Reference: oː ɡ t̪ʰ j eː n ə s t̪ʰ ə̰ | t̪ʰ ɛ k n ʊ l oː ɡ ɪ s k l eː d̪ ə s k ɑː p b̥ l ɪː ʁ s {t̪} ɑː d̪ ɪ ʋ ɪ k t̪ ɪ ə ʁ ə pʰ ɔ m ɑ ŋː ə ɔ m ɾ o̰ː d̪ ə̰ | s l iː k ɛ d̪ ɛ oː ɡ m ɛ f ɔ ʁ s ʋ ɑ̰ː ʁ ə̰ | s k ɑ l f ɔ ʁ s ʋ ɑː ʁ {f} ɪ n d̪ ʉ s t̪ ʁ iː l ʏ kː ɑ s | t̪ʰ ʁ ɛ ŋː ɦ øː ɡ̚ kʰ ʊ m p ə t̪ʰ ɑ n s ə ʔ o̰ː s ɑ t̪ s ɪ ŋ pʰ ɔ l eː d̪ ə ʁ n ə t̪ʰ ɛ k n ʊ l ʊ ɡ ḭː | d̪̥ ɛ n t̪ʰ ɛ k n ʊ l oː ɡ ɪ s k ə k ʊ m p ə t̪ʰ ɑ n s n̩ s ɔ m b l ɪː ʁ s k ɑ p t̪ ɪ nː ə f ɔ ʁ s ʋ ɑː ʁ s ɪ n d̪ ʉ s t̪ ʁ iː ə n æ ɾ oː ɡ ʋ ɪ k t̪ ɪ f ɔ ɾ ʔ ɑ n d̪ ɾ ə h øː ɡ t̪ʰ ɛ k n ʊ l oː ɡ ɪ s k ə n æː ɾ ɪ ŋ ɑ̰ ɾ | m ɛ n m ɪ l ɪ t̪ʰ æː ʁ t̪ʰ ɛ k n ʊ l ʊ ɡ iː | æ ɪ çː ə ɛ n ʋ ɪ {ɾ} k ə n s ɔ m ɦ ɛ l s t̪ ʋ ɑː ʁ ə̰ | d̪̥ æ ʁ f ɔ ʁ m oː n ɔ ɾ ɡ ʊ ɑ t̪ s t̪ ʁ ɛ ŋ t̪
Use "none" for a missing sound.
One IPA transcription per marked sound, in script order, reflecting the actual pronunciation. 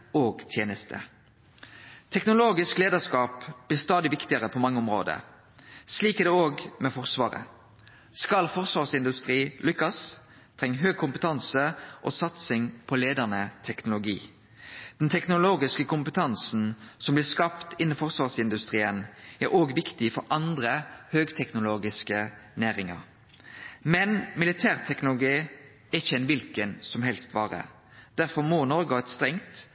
t̪, s, l

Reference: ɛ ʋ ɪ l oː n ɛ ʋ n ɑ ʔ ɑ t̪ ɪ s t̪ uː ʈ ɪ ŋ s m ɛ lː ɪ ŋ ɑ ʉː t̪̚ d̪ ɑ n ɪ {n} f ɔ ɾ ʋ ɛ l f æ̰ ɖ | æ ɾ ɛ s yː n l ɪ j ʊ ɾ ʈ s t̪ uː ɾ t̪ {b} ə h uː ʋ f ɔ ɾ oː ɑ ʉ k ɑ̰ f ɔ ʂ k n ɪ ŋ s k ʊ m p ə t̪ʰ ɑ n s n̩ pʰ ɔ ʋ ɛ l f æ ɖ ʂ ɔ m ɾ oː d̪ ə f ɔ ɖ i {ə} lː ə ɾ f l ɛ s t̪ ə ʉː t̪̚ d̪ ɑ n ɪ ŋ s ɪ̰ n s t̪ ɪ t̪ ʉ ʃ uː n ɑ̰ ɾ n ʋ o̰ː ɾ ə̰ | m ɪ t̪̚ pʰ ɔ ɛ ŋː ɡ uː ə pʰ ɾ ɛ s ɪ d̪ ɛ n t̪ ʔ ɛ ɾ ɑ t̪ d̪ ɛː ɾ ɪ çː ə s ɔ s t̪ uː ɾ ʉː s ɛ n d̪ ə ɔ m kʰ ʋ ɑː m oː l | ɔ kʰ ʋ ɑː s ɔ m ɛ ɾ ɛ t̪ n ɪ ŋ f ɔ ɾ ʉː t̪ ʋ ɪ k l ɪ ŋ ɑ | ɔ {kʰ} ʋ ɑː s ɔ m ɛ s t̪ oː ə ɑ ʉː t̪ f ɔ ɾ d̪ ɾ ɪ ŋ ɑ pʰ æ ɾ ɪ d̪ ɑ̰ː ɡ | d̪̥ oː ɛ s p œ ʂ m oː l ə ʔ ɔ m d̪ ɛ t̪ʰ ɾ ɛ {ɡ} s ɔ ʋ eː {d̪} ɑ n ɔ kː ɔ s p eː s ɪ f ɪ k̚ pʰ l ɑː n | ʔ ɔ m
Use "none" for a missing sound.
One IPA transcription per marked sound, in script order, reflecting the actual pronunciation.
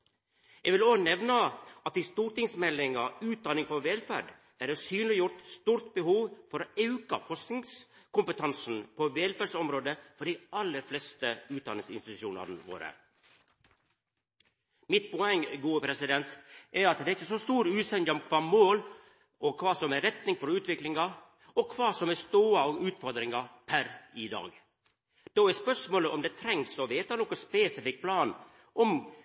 ŋ, b, ɑ, kʰ, ŋ, t̪

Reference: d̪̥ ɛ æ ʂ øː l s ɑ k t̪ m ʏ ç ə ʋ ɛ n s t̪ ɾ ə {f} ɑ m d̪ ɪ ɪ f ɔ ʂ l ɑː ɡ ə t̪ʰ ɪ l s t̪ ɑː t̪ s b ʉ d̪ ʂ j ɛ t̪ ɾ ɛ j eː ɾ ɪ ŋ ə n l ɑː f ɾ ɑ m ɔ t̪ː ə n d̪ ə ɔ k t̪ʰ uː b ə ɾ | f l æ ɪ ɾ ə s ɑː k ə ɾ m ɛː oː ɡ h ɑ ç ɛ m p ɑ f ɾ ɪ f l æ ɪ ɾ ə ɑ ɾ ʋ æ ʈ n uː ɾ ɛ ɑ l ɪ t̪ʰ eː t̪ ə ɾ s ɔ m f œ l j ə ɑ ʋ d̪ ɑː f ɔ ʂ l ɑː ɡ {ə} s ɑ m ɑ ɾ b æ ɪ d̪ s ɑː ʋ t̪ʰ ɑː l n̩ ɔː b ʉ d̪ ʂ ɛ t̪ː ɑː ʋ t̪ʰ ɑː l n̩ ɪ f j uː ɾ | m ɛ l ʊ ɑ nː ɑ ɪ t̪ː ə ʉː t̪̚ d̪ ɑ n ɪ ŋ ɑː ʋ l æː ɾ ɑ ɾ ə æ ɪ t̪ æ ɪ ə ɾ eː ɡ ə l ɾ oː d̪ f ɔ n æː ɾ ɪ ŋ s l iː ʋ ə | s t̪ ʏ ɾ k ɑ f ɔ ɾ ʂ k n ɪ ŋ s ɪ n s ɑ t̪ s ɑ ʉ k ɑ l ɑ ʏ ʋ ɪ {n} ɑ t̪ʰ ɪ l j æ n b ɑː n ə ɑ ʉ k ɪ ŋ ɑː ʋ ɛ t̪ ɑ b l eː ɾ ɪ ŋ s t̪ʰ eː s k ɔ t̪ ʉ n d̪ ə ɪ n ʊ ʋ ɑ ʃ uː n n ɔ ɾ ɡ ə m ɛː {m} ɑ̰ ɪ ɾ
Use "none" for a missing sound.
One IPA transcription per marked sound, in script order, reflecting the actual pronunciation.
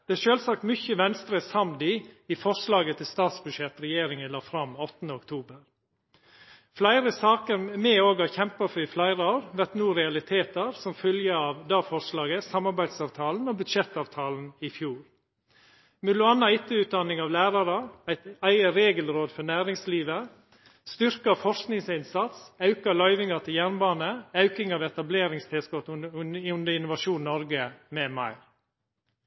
s, ə, ŋ, m

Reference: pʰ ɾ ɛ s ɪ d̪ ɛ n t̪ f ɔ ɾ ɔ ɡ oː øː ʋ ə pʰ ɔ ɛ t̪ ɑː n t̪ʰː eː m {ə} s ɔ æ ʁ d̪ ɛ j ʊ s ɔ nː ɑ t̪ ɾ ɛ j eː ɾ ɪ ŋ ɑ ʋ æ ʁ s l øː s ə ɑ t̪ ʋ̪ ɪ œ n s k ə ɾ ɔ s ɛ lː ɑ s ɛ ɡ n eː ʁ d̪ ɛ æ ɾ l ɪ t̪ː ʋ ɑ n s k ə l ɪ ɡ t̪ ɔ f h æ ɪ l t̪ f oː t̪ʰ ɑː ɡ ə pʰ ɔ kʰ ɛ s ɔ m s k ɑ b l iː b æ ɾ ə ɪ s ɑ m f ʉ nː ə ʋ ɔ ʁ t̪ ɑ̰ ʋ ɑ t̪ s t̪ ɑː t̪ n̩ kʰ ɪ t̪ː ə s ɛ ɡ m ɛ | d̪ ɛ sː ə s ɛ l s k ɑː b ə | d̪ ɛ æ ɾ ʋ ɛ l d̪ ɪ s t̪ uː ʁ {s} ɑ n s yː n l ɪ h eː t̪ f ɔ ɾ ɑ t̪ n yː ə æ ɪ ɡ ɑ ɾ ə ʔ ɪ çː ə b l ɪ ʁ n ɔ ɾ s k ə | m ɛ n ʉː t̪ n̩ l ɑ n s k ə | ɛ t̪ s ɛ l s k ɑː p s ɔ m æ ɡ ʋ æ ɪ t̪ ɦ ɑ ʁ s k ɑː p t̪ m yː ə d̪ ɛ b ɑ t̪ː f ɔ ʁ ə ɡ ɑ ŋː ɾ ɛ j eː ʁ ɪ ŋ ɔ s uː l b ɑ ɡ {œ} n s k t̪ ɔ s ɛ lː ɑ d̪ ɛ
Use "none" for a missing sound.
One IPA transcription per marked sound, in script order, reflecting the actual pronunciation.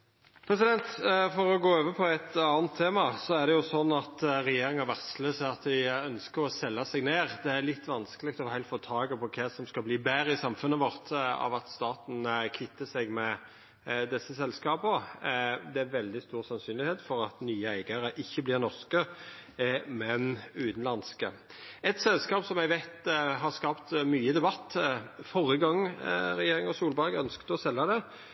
ɑ, s, œ

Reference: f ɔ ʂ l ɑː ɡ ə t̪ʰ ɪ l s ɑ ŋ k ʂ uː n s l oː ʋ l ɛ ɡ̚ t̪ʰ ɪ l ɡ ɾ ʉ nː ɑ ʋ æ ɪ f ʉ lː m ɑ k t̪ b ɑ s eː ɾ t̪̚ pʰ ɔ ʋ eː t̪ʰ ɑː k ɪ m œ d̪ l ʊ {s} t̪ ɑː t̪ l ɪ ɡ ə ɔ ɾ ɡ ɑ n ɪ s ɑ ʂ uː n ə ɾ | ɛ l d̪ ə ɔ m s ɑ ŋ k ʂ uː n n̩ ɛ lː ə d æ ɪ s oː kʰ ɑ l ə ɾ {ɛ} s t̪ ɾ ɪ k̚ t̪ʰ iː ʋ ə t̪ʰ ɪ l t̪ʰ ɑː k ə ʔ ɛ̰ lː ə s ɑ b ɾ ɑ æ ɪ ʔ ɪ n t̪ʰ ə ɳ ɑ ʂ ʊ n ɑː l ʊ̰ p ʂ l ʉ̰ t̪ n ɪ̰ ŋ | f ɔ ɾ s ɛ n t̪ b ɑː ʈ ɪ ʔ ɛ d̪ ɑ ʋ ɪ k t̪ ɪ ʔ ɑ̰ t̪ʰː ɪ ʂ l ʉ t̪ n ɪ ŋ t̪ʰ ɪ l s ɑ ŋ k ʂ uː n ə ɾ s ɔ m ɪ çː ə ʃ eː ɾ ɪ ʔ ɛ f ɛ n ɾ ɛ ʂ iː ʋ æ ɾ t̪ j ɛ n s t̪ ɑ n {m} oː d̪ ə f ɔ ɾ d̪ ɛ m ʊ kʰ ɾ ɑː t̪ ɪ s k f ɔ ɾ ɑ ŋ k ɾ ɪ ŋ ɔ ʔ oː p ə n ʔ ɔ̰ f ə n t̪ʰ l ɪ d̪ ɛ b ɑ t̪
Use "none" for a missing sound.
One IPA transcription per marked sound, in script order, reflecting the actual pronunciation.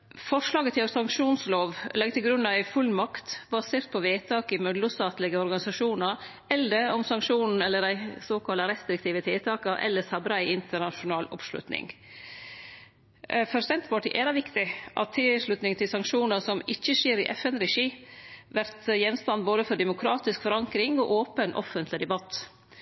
s, ɛ, b

